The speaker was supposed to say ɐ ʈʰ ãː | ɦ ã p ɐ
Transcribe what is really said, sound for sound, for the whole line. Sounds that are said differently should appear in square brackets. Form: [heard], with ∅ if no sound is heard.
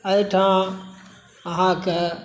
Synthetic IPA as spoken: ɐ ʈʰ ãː | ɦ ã [k] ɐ